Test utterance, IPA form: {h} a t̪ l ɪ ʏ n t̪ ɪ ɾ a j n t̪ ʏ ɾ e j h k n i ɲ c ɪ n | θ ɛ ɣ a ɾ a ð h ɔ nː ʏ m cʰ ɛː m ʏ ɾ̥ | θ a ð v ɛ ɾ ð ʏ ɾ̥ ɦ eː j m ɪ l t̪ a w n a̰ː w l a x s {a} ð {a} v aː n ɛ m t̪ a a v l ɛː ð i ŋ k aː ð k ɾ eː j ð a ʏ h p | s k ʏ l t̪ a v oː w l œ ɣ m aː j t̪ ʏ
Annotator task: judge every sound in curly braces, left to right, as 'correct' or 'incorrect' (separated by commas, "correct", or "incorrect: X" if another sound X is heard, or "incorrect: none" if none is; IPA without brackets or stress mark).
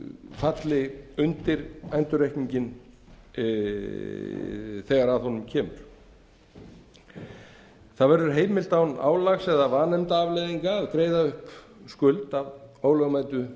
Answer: incorrect: f, incorrect: ɛ, correct